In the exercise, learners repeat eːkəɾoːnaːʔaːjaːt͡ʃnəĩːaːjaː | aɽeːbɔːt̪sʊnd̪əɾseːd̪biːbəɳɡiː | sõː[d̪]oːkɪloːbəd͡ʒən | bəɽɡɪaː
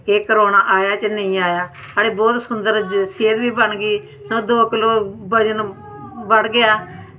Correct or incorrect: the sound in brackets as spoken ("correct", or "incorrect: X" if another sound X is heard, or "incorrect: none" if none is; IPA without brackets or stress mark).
correct